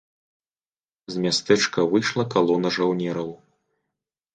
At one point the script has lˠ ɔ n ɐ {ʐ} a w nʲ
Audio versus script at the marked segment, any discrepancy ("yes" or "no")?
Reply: no